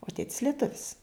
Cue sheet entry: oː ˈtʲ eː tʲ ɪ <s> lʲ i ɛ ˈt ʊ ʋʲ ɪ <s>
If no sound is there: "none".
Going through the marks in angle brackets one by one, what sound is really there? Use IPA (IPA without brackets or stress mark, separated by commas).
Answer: s, s